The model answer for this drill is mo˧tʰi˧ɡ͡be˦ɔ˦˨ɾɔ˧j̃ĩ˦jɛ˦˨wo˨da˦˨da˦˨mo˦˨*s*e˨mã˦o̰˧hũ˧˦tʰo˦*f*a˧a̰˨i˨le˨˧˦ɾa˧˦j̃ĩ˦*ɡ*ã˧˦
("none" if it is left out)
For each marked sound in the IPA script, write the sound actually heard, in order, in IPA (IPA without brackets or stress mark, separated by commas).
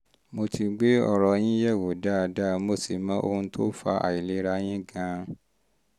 s, f, ɡ